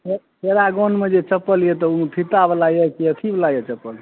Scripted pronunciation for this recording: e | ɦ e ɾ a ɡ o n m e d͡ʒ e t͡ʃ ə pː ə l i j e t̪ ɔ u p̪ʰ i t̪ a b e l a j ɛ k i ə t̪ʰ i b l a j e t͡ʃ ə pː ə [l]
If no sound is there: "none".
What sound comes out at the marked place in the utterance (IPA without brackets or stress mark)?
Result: l